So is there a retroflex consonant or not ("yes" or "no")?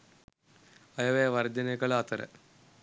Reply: yes